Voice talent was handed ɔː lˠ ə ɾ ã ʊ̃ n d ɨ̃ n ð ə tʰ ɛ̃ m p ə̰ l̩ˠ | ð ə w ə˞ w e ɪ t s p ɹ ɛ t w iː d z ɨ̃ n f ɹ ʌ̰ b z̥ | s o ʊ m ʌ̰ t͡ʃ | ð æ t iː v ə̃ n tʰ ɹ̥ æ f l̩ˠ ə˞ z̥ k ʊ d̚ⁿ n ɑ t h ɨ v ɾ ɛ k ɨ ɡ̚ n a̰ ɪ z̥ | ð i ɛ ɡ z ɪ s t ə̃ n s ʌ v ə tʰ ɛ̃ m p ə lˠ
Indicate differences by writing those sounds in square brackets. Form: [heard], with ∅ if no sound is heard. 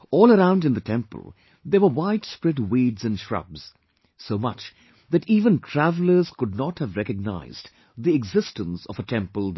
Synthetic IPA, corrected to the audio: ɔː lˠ ə ɾ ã ʊ̃ n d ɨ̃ n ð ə tʰ ɛ̃ m p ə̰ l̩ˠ | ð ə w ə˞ w [a] ɪ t s p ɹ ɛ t w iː d z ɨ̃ n [ʃ] ɹ ʌ̰ b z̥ | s o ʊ m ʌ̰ t͡ʃ | ð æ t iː v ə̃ n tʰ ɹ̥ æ [v] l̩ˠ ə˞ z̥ k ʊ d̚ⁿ n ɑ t h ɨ v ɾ ɛ k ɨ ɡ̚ n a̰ ɪ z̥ | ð i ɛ ɡ z ɪ s t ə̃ n s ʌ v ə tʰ ɛ̃ m p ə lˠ